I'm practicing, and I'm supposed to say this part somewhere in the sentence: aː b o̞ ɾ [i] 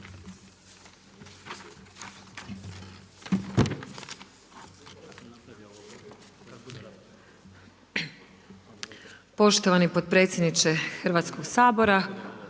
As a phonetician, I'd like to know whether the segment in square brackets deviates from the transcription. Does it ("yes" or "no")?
yes